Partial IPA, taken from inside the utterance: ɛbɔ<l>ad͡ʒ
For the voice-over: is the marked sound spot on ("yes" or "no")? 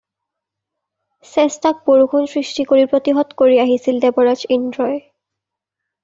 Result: no